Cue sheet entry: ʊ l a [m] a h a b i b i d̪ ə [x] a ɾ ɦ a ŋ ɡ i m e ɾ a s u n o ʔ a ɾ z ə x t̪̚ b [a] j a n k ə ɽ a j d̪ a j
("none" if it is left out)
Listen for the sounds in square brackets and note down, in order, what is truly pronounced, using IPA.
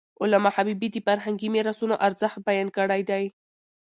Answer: m, f, a

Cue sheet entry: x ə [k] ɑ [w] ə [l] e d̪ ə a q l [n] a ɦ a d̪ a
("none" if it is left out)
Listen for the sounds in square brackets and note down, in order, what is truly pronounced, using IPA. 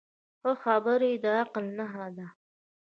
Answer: x, b, ɾ, n

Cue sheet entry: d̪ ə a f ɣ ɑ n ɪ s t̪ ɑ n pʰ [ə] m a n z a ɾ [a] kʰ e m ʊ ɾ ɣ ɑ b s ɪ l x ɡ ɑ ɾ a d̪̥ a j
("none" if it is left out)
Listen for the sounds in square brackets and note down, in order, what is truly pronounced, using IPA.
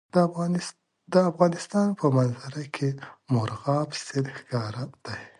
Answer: ə, a

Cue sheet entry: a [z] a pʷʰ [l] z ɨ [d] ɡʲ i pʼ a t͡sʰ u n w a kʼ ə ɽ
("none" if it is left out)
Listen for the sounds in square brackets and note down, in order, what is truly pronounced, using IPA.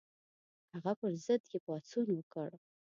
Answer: ʁ, r, d

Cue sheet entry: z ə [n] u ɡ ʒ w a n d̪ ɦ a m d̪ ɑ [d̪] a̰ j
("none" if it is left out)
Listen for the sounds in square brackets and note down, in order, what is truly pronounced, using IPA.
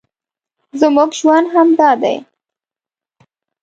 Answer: m, d̪

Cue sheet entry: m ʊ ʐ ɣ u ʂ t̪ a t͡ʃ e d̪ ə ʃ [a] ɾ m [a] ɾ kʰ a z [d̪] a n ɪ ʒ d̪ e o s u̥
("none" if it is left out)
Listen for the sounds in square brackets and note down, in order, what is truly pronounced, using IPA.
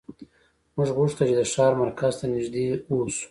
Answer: ɑ, a, t̪

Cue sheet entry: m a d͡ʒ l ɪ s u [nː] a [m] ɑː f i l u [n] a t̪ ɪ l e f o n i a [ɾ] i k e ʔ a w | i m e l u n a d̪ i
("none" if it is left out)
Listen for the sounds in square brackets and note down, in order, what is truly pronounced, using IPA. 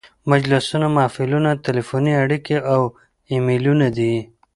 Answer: n, m, n, ɽ

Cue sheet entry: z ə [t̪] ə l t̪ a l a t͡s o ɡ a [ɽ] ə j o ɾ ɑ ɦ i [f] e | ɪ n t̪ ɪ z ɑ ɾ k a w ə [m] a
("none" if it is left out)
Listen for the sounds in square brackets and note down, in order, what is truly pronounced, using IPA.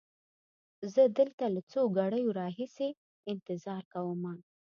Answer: d̪, ɽ, s, m

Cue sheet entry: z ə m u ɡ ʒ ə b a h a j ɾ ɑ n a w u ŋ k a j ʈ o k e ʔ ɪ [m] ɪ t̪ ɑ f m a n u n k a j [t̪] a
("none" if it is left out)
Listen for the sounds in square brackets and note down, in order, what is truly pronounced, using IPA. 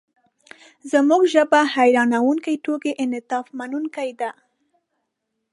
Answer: n, d̪

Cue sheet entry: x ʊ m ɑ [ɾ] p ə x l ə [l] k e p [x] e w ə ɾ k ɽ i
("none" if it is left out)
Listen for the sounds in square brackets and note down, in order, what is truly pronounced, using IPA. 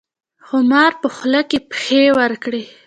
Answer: ɾ, none, x

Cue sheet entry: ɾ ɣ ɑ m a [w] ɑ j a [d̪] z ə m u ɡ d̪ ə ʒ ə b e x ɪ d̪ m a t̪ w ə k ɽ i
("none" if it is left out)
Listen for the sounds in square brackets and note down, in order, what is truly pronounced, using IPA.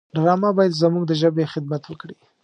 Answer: b, d̪

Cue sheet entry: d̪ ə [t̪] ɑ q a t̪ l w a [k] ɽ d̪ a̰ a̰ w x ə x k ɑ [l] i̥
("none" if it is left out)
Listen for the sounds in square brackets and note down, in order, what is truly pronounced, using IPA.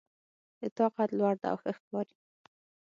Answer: t̪, none, ɾ

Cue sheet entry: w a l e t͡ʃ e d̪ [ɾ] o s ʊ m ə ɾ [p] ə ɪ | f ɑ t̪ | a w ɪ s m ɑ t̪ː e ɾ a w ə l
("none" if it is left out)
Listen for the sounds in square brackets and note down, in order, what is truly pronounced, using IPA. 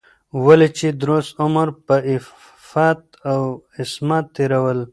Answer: ɾ, p

